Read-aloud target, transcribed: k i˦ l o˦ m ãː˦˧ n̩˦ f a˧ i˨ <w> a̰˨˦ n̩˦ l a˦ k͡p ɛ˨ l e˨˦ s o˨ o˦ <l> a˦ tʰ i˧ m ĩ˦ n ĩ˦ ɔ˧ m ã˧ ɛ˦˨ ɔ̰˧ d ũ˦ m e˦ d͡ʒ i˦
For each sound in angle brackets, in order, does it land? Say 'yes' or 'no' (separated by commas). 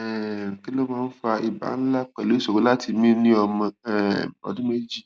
no, yes